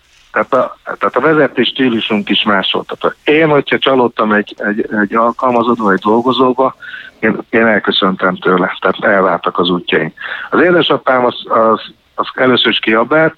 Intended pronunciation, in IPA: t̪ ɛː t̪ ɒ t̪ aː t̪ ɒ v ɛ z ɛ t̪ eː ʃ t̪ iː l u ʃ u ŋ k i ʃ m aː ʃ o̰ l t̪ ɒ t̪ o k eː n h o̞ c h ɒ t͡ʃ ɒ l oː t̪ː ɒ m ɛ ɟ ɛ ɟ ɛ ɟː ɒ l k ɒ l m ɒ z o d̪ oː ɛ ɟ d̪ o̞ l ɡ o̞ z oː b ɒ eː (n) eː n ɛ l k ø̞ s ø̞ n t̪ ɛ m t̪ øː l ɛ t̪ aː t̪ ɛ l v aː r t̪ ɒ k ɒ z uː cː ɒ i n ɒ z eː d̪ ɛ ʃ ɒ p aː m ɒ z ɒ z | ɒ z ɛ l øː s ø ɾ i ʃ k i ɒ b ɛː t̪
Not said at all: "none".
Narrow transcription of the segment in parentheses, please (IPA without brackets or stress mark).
n